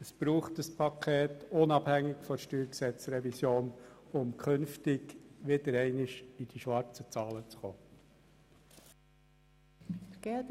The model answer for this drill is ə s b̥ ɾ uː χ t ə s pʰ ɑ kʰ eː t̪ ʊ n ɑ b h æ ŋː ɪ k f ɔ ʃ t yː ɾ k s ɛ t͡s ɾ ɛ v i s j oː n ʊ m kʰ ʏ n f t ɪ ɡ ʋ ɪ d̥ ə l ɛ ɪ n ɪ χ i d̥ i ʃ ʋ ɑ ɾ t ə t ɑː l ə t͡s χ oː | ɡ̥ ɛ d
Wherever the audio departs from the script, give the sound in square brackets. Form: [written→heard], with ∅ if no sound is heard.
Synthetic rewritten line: ə s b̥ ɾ uː χ t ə s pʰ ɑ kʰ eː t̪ ʊ n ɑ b h æ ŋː ɪ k f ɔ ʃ t yː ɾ k s ɛ t͡s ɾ ɛ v i s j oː n ʊ m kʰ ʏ n f t ɪ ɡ ʋ ɪ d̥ ə [l→ɾ] ɛ ɪ n ɪ [χ→ʃ] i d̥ i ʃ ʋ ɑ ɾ [t→t͡s] ə [t→t͡s] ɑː l ə t͡s χ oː | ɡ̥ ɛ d